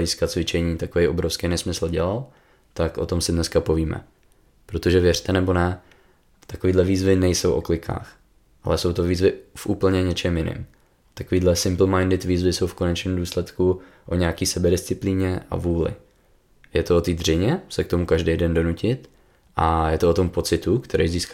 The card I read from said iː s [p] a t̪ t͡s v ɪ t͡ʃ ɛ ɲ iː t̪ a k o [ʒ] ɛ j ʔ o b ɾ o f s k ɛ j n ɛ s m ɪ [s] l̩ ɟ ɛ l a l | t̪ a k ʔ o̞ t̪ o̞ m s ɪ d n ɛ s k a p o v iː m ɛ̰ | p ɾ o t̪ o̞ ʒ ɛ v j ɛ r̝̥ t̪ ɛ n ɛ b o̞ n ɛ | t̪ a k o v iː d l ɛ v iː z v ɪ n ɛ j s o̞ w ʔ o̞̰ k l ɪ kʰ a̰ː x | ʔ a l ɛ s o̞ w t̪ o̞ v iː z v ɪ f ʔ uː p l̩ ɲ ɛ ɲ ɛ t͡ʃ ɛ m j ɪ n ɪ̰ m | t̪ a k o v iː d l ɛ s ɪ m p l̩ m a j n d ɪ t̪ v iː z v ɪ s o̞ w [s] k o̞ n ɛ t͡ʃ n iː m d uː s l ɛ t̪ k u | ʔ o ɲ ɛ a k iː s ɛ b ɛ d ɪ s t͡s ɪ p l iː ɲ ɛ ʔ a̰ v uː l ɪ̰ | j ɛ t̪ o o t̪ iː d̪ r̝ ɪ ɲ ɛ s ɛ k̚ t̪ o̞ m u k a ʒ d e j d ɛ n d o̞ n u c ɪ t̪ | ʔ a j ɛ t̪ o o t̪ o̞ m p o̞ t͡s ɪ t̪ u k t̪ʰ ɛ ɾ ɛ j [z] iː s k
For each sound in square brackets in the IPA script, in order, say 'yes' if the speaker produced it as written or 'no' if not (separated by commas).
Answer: no, no, yes, no, yes